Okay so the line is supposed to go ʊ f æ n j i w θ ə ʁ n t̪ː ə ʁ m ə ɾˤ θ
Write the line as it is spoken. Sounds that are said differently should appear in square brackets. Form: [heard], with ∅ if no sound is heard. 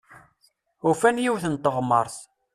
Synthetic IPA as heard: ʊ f æ n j i w θ ə [∅] n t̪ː ə ʁ m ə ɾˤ θ